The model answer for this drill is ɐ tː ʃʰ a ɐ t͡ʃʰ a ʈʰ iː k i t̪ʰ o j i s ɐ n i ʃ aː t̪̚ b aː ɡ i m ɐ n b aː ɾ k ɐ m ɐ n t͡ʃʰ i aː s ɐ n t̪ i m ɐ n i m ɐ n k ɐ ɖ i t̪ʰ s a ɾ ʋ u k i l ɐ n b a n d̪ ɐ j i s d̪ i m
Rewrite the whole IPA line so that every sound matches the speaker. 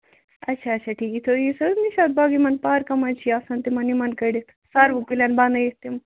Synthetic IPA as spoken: ɐ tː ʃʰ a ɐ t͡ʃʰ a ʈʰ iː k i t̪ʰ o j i s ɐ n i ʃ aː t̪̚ b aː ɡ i m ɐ n p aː ɾ k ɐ m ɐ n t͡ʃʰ i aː s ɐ n t̪ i m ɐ n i m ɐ n k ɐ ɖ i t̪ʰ s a ɾ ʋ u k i l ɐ n b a n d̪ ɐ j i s t̪ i m